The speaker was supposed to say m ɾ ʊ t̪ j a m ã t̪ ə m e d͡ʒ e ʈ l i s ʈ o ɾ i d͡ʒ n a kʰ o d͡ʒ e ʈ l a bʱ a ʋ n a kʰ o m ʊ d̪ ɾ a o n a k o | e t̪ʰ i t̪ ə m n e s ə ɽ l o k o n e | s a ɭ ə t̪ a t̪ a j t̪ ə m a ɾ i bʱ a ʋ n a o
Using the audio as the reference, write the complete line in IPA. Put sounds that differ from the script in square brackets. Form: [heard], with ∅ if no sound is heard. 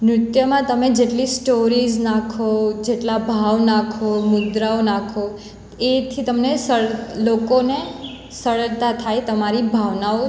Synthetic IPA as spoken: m ɾ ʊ t̪ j [ə] m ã t̪ ə m e d͡ʒ e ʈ l i s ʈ o ɾ i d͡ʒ n a kʰ o d͡ʒ e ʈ l a bʱ a ʋ n a kʰ o m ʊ d̪ ɾ a o n a [kʰ] o | e t̪ʰ i t̪ ə m n e s ə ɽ l o k o n e | s [ə] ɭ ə t̪ a [t̪ʰ] a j t̪ ə m a ɾ i bʱ a ʋ n a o